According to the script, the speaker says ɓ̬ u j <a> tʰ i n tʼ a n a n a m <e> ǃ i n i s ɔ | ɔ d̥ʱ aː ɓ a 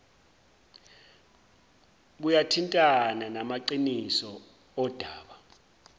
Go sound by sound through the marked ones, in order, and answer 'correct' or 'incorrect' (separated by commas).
correct, incorrect